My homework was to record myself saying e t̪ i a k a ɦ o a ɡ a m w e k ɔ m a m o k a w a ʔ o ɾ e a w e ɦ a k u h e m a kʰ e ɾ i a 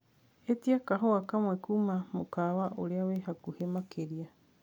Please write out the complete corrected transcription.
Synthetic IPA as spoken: e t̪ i a k a ɦ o a k a m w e k u m a m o k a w a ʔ o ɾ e a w e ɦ a k u h e m a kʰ e ɾ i a